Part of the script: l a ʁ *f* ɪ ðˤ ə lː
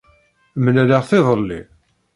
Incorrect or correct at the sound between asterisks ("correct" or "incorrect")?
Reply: incorrect